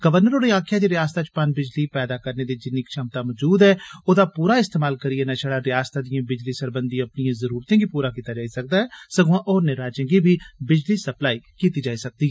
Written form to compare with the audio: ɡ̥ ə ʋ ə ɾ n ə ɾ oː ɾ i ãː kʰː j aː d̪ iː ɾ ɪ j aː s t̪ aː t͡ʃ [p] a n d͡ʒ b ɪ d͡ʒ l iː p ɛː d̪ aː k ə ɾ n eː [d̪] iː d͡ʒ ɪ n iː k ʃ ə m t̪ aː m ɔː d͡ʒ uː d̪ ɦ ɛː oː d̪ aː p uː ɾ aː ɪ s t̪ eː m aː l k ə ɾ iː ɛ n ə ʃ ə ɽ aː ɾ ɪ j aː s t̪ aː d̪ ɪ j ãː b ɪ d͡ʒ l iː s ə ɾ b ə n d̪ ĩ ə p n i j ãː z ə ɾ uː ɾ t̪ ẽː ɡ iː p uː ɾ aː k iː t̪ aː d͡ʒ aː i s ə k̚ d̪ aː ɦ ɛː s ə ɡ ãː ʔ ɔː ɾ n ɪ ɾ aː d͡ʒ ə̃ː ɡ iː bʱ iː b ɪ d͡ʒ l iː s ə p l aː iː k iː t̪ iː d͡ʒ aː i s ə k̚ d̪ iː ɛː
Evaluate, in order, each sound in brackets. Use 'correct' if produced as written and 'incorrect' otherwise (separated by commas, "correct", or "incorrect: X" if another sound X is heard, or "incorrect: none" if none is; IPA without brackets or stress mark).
correct, correct